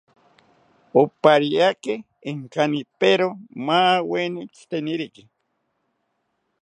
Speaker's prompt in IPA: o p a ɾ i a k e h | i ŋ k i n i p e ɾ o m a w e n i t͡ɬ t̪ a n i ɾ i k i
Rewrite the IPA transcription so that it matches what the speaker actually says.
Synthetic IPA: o p a ɾ i a k e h | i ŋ k a n i p e ɾ o m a w e n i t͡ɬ t̪ e n i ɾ i k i